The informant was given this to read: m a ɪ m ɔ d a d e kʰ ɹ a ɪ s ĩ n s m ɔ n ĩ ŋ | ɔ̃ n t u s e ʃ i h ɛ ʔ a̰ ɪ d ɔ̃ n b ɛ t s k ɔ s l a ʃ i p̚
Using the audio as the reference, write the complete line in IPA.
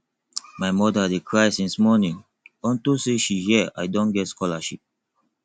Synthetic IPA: m a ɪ m ɔ d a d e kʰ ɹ a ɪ s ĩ n s m ɔ n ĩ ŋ | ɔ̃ n t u s e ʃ i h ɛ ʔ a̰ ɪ d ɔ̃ n ɡ ɛ t s k ɔ l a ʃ i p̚